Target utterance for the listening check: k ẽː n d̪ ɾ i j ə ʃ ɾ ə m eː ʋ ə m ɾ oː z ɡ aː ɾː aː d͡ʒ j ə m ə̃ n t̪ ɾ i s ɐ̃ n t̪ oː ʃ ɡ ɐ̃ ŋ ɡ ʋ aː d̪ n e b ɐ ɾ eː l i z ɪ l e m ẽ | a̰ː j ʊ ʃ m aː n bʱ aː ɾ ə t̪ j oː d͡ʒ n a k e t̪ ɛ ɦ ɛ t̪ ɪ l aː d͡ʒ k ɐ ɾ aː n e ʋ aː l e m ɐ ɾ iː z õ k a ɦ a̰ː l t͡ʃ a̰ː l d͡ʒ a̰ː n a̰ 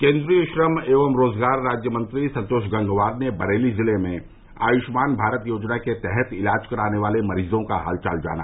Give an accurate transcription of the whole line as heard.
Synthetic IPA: k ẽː n d̪ ɾ i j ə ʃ ɾ ə m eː ʋ ə m ɾ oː z ɡ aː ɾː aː d͡ʒ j ə m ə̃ n t̪ ɾ i s ɐ̃ n t̪ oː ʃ ɡ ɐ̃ ŋ ɡ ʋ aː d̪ n e b ɐ ɾ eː l i z ɪ l e m ẽ | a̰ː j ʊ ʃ m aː n bʱ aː ɾ ə t̪ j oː d͡ʒ n a k e t̪ ɛ ɦ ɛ t̪ ɪ l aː d͡ʒ k ɐ ɾ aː n e ʋ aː l e m ɐ ɾ iː z õ k a ɦ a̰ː l t͡ʃ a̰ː l d͡ʒ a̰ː n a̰